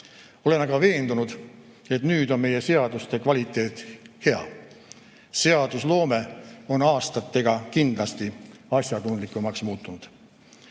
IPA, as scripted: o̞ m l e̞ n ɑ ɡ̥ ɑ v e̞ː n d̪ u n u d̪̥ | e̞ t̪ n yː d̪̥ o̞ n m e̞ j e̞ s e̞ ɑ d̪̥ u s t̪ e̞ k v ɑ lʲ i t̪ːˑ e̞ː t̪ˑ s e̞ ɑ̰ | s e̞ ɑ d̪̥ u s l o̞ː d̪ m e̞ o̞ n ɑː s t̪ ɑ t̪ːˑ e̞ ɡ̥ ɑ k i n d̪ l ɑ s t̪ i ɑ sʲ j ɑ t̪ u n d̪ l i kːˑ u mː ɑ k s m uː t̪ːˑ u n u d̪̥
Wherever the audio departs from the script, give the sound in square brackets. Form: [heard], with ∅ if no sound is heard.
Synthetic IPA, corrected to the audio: o̞ [∅] l e̞ n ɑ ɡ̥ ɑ v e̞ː n d̪ u n u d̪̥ | e̞ t̪ n yː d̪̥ o̞ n m e̞ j e̞ s e̞ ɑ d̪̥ u s t̪ e̞ k v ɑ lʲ i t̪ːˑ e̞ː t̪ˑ [h] e̞ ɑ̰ | s e̞ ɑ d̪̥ u s l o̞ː [∅] m e̞ o̞ n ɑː s t̪ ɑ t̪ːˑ e̞ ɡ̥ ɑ k i n d̪ l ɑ s t̪ i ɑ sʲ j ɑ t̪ u n d̪ l i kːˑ u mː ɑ k s m uː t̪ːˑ u n u d̪̥